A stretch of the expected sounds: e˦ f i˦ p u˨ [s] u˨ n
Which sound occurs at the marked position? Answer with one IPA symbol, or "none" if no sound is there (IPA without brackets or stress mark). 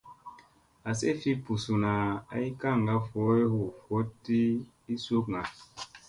s